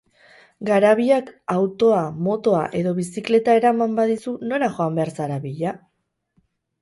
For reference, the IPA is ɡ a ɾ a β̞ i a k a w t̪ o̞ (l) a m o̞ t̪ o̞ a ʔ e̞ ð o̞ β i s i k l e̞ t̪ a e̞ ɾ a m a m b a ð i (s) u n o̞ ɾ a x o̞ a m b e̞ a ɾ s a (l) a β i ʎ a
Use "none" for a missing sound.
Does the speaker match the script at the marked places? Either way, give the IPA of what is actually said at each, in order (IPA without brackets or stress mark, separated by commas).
none, s, ɾ